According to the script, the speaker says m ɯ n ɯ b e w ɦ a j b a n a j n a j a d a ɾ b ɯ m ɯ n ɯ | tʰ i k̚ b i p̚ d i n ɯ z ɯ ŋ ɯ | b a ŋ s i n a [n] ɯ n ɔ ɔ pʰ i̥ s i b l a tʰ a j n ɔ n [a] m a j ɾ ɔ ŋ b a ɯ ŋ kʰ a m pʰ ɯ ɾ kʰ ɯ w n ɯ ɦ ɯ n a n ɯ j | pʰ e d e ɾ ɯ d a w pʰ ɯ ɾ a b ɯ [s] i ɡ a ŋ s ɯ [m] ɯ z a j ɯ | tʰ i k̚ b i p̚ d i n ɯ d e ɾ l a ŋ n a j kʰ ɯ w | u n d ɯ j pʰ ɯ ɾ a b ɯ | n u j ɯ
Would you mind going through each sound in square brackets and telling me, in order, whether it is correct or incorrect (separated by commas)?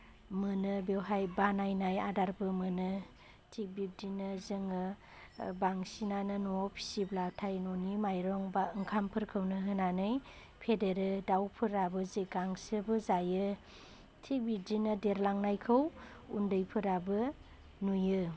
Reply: correct, incorrect, incorrect, incorrect